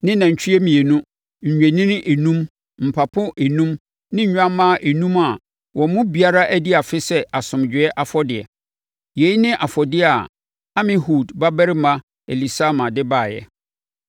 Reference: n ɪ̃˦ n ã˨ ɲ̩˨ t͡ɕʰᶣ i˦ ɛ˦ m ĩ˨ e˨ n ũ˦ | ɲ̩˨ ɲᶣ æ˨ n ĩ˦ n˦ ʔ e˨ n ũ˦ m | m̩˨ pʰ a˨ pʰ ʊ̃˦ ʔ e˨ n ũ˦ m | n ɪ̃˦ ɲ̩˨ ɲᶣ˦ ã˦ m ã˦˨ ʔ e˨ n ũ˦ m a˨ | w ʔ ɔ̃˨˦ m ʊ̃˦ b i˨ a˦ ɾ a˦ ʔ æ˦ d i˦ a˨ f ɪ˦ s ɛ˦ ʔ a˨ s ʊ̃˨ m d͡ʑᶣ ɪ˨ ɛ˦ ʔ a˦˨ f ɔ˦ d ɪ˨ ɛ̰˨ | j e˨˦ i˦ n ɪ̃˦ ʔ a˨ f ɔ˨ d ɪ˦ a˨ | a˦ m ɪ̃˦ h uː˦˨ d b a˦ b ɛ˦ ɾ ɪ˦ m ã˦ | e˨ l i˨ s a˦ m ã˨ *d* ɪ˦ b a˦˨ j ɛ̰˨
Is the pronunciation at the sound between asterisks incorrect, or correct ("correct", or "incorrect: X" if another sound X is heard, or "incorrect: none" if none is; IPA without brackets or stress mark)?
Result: correct